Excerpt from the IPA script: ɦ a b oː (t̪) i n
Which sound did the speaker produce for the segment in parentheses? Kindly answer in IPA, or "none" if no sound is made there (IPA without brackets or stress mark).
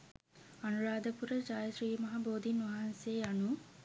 d̪